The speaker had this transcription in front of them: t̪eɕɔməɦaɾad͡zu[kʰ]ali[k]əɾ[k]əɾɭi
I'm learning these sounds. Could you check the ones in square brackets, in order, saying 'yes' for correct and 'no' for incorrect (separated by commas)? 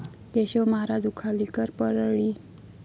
yes, yes, no